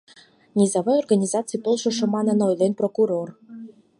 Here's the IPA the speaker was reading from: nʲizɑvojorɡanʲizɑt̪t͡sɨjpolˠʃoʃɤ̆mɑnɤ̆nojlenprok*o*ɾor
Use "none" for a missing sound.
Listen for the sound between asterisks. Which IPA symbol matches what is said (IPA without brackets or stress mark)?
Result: u